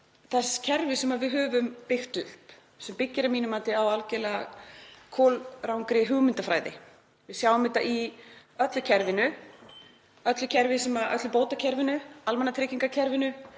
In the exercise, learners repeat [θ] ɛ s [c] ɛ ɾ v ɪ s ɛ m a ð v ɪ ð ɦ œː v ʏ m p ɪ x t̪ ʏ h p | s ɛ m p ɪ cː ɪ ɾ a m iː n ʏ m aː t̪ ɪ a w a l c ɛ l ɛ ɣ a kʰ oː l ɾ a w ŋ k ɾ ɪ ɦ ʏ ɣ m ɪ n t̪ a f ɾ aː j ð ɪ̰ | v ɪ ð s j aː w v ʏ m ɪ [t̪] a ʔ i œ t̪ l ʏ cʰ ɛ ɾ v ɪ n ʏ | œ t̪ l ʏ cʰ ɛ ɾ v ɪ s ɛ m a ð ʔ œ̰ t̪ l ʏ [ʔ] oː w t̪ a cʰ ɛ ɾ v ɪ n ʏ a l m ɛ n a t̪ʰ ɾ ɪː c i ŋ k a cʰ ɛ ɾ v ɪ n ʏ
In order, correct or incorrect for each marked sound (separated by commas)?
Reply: correct, incorrect, correct, incorrect